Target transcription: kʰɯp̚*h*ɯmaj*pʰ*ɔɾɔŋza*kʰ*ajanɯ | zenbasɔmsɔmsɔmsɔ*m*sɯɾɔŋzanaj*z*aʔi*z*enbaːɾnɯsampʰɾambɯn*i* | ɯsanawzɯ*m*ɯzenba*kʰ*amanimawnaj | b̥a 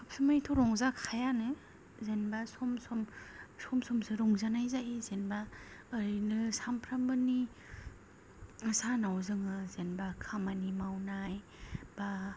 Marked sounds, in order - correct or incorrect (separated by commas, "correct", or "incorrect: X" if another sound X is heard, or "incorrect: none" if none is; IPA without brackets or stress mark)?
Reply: incorrect: s, incorrect: tʰ, correct, correct, correct, correct, correct, incorrect: ŋ, correct